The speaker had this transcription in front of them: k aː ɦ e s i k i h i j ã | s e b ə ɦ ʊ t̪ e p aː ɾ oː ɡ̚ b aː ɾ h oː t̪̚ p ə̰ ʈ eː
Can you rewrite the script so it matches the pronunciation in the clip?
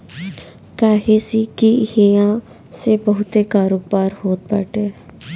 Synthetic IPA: k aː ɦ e s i k i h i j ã | s e b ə ɦ ʊ t̪ e k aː ɾ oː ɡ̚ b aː ɾ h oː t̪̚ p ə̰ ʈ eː